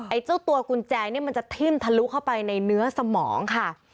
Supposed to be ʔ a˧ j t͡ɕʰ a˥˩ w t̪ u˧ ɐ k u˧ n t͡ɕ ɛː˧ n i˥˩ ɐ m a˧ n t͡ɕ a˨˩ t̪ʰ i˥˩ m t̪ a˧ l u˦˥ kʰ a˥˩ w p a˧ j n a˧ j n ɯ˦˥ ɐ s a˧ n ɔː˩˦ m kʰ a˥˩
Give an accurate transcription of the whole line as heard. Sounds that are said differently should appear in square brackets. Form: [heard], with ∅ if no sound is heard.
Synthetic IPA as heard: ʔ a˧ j [t͡ɕ] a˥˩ w t̪ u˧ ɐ k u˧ n t͡ɕ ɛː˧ n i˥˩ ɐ m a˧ n t͡ɕ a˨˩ t̪ʰ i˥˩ m [t̪ʰ] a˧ l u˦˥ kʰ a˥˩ w p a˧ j n a˧ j n ɯ˦˥ ɐ s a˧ [m] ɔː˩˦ [ŋ] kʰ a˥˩